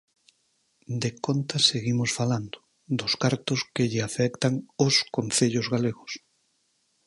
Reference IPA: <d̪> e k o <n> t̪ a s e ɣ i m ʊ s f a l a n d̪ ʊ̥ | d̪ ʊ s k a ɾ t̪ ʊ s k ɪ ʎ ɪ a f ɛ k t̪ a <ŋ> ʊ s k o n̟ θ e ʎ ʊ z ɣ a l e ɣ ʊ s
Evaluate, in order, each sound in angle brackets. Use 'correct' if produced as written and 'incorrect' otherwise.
correct, correct, correct

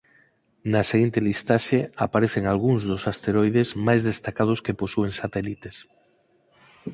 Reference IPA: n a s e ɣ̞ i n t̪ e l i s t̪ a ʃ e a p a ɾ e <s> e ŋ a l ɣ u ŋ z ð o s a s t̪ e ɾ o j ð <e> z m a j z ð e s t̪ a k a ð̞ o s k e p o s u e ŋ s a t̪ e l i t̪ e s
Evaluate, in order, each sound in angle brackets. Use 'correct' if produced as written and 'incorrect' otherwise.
incorrect, correct

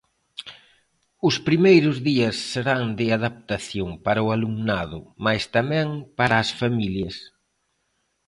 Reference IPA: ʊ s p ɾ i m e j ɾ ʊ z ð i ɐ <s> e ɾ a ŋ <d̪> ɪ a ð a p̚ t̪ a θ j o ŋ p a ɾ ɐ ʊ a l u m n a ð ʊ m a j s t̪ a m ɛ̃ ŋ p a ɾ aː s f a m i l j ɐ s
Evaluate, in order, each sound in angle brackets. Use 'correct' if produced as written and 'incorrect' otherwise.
incorrect, correct

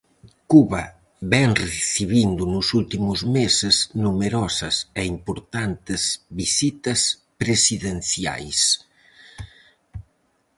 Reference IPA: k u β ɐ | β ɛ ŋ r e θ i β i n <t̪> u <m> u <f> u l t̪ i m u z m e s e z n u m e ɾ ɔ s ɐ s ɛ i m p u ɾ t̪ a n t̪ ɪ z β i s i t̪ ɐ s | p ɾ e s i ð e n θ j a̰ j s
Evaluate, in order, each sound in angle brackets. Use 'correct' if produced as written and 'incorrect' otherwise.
incorrect, incorrect, incorrect

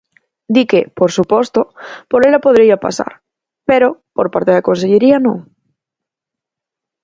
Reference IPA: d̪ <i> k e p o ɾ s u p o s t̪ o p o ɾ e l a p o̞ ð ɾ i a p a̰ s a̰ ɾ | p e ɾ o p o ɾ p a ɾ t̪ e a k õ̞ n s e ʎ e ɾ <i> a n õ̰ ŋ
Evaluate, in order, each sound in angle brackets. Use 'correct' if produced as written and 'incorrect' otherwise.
correct, correct

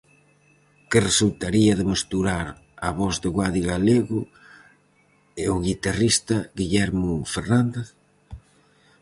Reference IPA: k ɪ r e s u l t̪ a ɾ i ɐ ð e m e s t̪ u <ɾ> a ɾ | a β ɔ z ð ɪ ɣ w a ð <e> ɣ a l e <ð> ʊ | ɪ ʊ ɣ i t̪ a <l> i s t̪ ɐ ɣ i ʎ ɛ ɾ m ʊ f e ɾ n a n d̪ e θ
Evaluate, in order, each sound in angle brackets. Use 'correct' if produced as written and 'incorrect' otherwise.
correct, incorrect, incorrect, incorrect

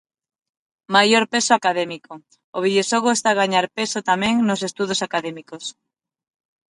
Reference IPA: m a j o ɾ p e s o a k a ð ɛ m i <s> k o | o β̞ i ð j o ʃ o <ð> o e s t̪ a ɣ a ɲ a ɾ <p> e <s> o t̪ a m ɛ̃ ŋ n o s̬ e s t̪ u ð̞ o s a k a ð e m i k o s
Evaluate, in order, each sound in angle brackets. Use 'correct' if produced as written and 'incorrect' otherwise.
incorrect, incorrect, correct, correct

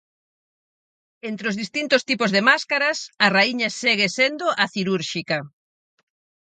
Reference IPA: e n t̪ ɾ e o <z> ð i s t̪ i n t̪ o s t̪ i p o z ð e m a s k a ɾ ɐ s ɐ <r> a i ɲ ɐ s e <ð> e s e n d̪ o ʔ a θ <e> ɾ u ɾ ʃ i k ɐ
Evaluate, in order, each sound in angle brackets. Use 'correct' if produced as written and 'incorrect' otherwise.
correct, correct, incorrect, incorrect

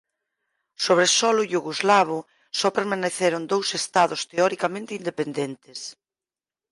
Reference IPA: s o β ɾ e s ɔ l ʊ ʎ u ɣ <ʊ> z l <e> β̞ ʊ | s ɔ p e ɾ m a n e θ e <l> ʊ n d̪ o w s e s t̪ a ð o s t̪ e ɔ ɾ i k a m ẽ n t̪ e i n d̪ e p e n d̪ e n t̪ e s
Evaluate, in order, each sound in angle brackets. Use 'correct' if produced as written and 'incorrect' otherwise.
incorrect, incorrect, incorrect

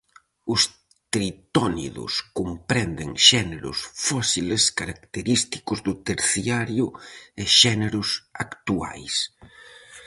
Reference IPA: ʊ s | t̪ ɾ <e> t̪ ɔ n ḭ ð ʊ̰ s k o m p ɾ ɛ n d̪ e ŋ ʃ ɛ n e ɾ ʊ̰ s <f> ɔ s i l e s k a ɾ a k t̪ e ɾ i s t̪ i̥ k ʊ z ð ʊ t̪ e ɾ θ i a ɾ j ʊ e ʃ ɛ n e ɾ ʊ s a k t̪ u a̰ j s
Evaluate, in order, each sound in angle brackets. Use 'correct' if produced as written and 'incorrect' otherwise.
incorrect, correct

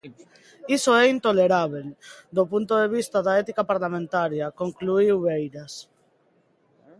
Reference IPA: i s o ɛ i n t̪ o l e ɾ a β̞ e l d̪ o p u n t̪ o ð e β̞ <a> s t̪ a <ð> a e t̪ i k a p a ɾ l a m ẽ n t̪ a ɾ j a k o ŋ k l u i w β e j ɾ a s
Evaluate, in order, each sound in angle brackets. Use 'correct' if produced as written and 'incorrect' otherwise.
incorrect, correct

